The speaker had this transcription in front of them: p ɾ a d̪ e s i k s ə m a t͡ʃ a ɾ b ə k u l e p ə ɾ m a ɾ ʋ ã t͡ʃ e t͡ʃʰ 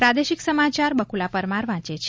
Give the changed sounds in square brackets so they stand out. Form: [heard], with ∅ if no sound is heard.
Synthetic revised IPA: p ɾ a d̪ e [ʃ] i k s ə m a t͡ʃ a ɾ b ə k u l [a] p ə ɾ m a ɾ ʋ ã t͡ʃ e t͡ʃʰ